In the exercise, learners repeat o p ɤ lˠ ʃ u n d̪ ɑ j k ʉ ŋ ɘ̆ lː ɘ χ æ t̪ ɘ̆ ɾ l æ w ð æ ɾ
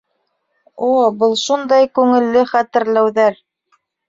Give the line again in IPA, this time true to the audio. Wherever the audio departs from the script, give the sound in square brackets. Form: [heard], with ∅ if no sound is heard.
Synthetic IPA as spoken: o [b] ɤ lˠ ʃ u n d̪ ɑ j k ʉ ŋ ɘ̆ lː ɘ χ æ t̪ ɘ̆ ɾ l æ w ð æ ɾ